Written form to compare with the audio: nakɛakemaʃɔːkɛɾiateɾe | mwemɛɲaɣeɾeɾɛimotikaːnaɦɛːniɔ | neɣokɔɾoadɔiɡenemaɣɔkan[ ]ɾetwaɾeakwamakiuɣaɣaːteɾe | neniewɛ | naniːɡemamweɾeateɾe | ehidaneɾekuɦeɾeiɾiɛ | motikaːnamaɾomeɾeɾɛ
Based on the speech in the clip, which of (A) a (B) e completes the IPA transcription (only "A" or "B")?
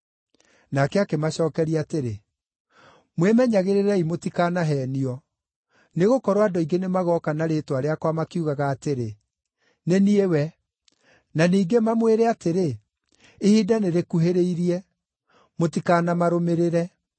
A